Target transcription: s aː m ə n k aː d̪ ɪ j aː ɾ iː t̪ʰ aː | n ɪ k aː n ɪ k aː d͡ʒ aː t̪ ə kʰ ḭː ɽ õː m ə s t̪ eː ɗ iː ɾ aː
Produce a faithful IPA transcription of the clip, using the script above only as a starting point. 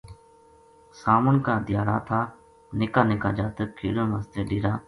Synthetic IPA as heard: s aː m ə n k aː d̪ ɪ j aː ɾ aː t̪ʰ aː | n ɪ k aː n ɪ k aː d͡ʒ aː t̪ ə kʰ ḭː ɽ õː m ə s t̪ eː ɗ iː ɾ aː

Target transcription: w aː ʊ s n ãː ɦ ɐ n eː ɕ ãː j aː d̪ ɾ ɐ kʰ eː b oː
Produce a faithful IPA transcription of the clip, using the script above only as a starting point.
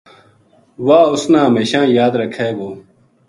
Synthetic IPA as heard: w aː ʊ s n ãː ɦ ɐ m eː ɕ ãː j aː d̪ ɾ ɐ kʰ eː ɡ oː

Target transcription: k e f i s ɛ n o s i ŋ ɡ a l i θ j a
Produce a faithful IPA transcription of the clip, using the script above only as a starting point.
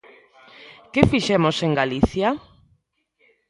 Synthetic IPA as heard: k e f i ʃ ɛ m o s e ŋ ɡ a l i θ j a

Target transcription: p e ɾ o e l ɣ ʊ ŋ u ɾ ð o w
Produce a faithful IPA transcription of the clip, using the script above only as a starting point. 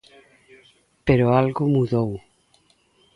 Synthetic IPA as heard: p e ɾ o a l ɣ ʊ m u ð o w

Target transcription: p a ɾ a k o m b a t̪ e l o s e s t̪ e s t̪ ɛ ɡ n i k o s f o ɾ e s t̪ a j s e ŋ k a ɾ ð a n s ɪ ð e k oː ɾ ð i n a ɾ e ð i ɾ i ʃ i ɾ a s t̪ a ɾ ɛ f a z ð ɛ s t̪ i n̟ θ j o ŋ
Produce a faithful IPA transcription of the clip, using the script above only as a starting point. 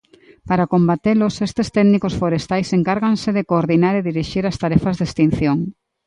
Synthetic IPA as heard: p a ɾ a k o m b a t̪ e l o s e s t̪ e s t̪ ɛ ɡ n i k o s f o ɾ e s t̪ a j s e ŋ k a ɾ ɣ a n s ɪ ð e k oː ɾ ð i n a ɾ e ð i ɾ i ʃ i ɾ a s t̪ a ɾ ɛ f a z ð e s t̪ i n̟ θ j o ŋ

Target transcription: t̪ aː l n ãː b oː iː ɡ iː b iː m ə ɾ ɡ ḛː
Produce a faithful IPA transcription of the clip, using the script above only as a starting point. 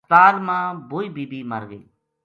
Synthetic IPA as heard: t̪ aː l m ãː b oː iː b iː b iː m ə ɾ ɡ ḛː

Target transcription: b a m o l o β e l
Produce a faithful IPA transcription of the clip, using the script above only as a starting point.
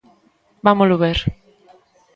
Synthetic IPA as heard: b a m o l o β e ɾ

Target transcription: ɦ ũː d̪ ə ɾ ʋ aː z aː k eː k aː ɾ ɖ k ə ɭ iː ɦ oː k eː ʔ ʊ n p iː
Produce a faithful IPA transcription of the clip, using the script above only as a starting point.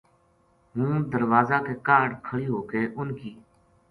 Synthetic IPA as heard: ɦ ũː d̪ ə ɾ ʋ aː z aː k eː k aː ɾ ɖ kʰ ə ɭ iː ɦ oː k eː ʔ ʊ n k iː

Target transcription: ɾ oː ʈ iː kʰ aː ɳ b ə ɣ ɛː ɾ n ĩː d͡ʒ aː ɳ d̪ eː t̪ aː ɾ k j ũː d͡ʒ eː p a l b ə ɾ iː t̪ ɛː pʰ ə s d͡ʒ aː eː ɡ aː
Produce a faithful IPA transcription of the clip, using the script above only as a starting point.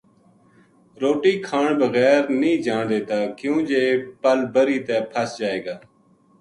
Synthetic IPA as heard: ɾ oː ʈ iː kʰ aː ɳ b ə ɣ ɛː ɾ n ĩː d͡ʒ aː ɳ d̪ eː t̪ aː k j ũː d͡ʒ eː p ə l b ə ɾ iː t̪ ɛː pʰ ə s d͡ʒ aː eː ɡ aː

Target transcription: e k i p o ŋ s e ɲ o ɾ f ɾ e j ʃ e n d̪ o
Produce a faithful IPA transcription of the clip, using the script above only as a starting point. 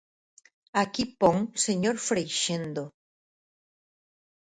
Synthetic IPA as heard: a k i p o ŋ s e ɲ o ɾ f ɾ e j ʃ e n d̪ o

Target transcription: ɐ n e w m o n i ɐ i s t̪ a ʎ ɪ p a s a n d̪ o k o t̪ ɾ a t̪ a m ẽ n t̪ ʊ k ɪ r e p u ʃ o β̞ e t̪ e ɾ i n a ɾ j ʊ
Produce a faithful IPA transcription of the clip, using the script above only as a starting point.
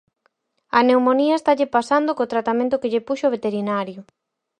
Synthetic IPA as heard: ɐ n e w m o n i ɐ e s t̪ a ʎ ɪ p a s a n d̪ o k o t̪ ɾ a t̪ a m ẽ n t̪ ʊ k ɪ ʎ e p u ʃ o β̞ e t̪ e ɾ i n a ɾ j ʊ

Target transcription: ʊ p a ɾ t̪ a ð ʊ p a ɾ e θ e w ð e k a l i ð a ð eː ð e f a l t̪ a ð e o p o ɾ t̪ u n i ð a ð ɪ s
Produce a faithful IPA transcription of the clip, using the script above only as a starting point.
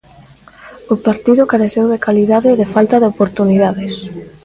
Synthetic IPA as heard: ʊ p a ɾ t̪ i ð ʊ k a ɾ e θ e w ð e k a l i ð a ð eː ð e f a l t̪ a ð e o p o ɾ t̪ u n i ð a ð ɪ s

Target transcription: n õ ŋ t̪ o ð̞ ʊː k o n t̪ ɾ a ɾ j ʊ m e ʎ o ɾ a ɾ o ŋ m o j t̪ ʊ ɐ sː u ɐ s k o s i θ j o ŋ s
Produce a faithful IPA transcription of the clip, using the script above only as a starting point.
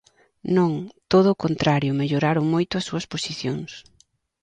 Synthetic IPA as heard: n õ ŋ t̪ o ð̞ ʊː k o n t̪ ɾ a ɾ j ʊ m e ʎ o ɾ a ɾ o ŋ m o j t̪ ʊ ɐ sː u ɐ s p o s i θ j o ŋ s

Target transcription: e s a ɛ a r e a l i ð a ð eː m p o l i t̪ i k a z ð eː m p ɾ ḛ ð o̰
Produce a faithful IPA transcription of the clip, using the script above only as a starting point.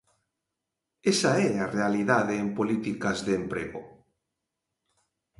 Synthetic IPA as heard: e s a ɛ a r e a l i ð a ð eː m p o l i t̪ i k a z ð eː m p ɾ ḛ ɣ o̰

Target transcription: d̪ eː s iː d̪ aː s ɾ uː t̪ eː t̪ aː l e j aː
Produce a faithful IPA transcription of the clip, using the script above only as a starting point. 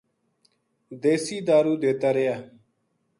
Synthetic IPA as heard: d̪ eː s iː d̪ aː ɾ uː d̪ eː t̪ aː ɾ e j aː

